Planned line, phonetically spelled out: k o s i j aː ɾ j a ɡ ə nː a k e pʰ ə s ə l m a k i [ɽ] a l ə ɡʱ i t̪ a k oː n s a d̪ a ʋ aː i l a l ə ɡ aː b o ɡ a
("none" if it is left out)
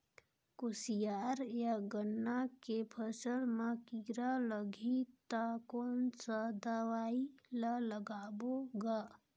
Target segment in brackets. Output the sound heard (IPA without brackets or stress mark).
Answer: ɾ